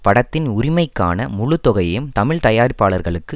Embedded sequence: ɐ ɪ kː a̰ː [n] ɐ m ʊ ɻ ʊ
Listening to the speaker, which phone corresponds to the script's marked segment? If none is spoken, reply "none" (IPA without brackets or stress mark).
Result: n